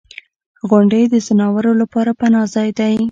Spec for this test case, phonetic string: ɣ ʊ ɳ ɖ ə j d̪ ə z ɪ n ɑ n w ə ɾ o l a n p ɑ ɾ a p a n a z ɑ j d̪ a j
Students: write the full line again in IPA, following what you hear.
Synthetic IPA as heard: ɣ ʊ ɳ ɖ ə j d̪ ə z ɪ n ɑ w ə ɾ o l a p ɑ ɾ a p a n ɑ z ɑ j d̪ a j